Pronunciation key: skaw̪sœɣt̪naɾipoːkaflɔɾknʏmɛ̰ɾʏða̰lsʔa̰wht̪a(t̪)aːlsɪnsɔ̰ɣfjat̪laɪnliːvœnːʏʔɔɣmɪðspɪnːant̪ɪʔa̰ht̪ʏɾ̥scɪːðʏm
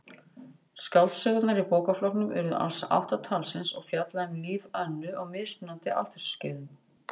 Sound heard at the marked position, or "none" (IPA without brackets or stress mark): t̪ʰ